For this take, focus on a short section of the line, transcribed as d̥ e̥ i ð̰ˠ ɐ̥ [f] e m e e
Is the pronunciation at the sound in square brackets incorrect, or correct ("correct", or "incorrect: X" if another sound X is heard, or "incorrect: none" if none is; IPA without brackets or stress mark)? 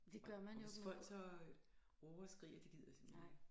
incorrect: s